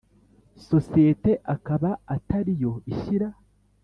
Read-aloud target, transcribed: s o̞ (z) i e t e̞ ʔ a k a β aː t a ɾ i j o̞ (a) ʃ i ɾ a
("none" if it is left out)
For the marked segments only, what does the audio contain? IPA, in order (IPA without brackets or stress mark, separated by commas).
s, i